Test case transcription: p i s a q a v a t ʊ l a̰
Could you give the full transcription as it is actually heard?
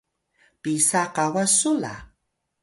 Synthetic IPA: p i s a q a w a s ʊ l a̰